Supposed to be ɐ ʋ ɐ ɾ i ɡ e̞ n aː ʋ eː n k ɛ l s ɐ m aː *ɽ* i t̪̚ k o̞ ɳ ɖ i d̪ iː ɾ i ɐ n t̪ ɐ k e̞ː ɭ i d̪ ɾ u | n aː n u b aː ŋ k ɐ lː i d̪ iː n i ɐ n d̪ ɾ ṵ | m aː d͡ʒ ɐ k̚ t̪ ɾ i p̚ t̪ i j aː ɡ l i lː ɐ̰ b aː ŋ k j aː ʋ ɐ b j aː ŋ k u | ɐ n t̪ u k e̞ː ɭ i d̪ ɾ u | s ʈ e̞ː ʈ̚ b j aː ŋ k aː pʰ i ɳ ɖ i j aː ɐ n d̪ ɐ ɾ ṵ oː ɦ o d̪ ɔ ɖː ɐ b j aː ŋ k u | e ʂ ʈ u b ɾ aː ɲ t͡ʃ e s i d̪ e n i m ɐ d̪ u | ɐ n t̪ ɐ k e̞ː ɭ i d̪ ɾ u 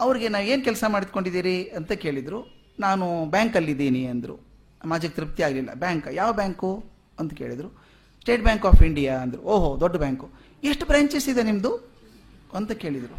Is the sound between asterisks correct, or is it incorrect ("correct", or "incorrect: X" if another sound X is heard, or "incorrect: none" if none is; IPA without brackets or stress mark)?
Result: correct